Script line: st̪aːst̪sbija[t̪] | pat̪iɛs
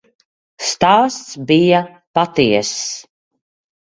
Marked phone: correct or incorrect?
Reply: incorrect